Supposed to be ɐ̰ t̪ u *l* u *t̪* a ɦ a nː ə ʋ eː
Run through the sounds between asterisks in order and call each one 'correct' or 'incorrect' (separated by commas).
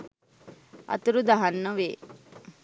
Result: incorrect, incorrect